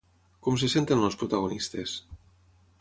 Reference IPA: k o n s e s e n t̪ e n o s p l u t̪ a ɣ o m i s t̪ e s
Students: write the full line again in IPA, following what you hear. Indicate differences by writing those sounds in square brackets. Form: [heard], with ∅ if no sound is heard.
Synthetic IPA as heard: k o [m] s e s e n t̪ e n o s p [ɾ] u t̪ a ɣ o [n] i s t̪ e s